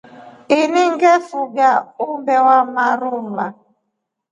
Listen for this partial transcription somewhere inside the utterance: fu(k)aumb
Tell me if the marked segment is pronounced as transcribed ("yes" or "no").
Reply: no